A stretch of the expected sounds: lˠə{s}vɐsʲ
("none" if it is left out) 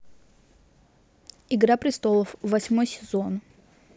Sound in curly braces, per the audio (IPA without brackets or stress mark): f